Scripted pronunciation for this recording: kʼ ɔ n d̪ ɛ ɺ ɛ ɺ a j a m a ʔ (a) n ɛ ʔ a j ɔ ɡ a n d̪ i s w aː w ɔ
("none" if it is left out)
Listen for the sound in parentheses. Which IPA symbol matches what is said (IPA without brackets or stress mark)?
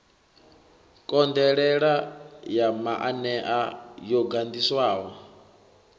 a